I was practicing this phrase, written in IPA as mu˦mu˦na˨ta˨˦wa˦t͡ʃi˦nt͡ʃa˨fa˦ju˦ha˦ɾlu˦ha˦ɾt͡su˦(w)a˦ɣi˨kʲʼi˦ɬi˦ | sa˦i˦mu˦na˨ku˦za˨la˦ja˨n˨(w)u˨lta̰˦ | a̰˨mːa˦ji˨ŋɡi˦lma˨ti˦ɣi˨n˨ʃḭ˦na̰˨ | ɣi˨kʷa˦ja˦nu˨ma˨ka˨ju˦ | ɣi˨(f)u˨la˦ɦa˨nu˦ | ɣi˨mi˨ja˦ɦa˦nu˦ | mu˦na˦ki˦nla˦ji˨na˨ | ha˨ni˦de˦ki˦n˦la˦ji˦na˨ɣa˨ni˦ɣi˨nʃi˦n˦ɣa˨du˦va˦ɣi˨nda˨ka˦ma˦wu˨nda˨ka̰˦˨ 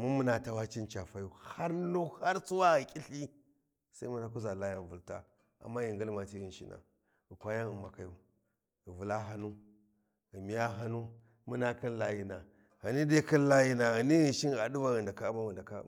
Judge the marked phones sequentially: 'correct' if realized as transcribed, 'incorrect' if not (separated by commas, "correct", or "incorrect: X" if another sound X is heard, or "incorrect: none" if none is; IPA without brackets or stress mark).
correct, incorrect: v, incorrect: v